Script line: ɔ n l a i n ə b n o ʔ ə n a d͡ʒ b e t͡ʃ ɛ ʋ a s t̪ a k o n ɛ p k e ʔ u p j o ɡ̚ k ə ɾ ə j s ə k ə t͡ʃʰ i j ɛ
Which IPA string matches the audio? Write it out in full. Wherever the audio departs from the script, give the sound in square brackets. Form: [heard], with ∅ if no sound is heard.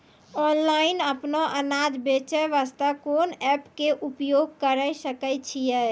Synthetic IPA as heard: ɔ n l a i n ə [p] n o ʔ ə n a d͡ʒ b e t͡ʃ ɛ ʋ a s t̪ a k o n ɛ p k e ʔ u p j o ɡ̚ k ə ɾ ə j s ə k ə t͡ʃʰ i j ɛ